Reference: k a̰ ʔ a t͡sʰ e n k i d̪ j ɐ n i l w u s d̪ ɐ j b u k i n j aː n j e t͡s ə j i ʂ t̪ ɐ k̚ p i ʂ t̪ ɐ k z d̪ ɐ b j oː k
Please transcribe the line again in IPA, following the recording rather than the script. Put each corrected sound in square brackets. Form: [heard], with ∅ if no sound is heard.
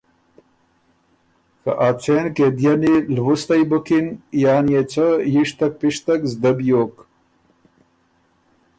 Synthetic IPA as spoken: k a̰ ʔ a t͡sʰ e n k [e] d̪ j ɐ n i l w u s [t̪] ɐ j b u k i n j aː n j e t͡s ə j i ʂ t̪ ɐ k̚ p i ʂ t̪ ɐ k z d̪ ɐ b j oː k

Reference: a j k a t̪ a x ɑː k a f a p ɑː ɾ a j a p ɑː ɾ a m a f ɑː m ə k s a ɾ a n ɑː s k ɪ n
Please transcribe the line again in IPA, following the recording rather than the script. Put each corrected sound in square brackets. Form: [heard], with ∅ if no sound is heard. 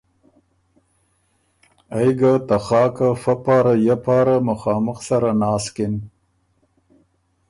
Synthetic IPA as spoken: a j [ɡ] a t̪ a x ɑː k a f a p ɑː ɾ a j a p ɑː ɾ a m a [x] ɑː m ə [x] s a ɾ a n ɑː s k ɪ n

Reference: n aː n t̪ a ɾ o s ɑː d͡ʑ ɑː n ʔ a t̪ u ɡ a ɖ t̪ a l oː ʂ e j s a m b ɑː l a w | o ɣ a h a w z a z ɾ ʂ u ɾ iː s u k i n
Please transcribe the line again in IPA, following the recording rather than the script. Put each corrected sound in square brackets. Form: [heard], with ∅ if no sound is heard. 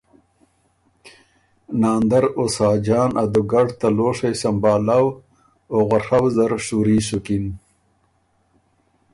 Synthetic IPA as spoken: n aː n [d̪] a ɾ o s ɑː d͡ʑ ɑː n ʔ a [d̪] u ɡ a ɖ t̪ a l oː ʂ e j s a m b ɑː l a w | o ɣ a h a w z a [∅] ɾ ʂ u ɾ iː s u k i n

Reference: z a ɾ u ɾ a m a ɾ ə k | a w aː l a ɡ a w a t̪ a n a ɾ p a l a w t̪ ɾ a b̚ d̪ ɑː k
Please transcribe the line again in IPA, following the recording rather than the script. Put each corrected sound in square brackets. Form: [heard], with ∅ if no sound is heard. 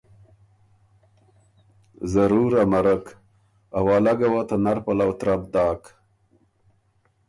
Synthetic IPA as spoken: z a ɾ u ɾ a m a ɾ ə k | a w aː l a ɡ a w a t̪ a n a ɾ p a l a w t̪ ɾ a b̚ d̪ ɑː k

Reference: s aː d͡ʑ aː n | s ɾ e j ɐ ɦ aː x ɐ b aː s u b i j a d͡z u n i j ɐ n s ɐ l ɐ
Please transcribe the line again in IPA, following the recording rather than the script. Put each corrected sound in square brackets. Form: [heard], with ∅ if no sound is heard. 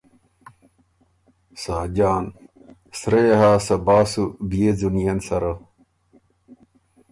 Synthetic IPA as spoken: s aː d͡ʑ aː n | s ɾ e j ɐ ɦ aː [s] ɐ b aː s u b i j [e] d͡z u n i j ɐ n s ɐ [ɾ] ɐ

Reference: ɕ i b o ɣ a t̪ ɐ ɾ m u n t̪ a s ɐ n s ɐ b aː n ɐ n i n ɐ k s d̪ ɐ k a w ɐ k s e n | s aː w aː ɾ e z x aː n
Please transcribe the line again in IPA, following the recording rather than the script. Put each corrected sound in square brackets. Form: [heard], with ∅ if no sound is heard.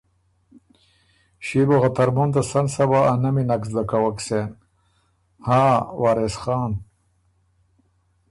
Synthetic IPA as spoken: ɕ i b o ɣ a t̪ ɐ ɾ m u n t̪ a s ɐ n s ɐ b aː n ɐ [m] i n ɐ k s d̪ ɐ k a w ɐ k s e n | [h] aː w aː ɾ e [s] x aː n

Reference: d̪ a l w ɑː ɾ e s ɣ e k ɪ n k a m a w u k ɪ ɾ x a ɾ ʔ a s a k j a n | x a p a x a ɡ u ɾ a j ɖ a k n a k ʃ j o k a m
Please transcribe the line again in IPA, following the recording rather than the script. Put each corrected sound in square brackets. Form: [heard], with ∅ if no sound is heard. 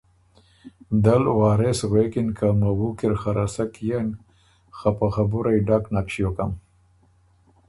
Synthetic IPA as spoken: d̪ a l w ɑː ɾ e s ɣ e k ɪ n k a m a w u k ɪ ɾ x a ɾ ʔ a s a k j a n | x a p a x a [b] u ɾ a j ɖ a k n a k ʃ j o k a m

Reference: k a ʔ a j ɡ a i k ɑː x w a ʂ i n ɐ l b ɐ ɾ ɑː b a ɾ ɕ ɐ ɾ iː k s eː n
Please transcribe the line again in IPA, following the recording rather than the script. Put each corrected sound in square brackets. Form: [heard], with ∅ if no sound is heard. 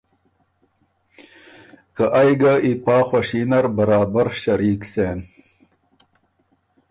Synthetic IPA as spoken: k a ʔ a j ɡ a i [p] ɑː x w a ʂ i n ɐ [ɾ] b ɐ ɾ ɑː b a ɾ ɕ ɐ ɾ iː k s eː n

